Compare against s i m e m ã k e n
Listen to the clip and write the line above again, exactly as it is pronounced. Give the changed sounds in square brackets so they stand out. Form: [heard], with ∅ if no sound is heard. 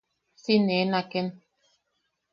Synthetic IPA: s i [n] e [n] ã k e n